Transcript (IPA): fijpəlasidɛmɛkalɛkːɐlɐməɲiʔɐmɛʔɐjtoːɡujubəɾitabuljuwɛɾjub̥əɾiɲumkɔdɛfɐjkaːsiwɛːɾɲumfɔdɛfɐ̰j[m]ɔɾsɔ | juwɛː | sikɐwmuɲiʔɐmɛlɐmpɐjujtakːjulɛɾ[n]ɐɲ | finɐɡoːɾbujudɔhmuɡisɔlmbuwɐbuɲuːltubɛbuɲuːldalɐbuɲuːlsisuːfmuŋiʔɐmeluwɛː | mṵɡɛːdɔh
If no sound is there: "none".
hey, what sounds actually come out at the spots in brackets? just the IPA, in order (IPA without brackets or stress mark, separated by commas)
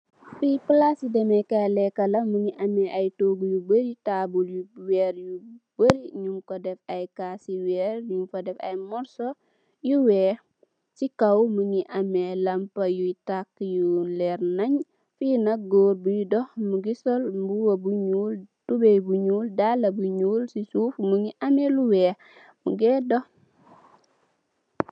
m, n